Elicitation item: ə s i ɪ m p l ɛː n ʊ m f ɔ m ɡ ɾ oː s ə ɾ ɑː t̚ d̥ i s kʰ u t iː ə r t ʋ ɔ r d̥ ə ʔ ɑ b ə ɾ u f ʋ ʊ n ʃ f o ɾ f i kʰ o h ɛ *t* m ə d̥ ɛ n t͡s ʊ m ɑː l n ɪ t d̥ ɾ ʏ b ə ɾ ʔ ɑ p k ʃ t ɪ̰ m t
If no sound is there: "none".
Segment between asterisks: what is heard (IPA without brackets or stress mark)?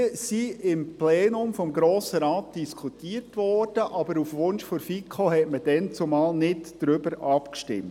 t